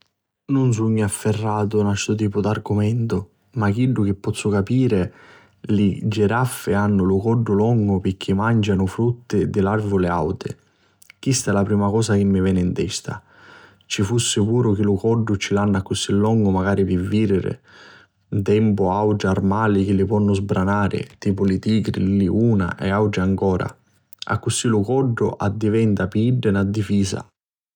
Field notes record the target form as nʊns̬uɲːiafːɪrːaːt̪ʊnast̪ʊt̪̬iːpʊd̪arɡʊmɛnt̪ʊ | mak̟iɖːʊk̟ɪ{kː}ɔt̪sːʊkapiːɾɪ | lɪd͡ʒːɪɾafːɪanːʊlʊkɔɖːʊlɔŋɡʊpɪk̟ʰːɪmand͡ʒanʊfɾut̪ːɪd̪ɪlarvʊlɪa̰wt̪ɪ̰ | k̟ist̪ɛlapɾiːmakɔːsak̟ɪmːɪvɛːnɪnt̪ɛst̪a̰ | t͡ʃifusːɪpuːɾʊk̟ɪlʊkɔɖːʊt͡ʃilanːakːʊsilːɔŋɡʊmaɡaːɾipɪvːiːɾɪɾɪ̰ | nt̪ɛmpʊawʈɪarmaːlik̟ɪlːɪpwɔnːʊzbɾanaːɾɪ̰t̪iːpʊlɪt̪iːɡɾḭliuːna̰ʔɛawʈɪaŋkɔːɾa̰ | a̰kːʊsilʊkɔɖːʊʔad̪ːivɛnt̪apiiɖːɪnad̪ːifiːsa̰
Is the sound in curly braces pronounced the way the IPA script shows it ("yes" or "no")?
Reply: no